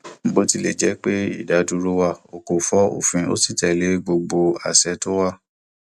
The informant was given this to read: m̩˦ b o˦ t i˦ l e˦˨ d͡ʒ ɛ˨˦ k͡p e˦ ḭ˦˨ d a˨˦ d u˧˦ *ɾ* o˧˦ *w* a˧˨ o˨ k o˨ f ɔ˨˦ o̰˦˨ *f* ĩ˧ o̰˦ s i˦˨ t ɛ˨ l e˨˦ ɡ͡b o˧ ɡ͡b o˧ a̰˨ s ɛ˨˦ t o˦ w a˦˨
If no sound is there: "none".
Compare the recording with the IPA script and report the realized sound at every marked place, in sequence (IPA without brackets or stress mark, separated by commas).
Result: ɾ, w, f